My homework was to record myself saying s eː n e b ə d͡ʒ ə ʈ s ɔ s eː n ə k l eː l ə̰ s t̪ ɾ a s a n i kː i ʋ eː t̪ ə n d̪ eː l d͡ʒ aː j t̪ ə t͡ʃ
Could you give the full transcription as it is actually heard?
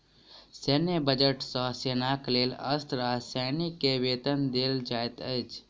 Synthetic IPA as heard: s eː n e b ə d͡ʒ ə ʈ s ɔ s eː n a k l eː l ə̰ s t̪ ɾ a s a n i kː e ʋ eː t̪ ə n d̪ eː l d͡ʒ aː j t̪ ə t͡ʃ